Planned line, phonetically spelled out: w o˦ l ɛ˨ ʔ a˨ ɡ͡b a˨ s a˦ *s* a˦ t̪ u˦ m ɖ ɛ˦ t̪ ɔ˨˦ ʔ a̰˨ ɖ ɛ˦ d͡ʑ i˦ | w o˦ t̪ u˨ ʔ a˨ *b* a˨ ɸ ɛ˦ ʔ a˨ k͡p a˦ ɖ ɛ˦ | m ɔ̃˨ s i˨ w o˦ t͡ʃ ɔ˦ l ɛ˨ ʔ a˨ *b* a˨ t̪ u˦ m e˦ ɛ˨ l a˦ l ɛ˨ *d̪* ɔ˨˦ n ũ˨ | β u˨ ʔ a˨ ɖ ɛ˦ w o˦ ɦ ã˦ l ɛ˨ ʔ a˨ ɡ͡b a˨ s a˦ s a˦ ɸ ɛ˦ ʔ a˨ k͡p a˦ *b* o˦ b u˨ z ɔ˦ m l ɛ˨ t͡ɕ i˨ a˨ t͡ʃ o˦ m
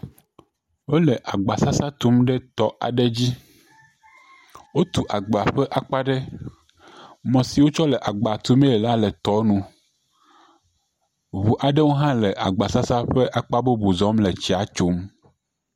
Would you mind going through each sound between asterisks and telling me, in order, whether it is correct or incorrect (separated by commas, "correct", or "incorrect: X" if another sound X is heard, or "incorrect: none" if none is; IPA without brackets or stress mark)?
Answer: correct, incorrect: ɡ͡b, incorrect: ɡ͡b, incorrect: t̪, correct